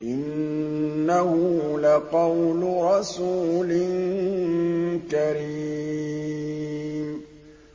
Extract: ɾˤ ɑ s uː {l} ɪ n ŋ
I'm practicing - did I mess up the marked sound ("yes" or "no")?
no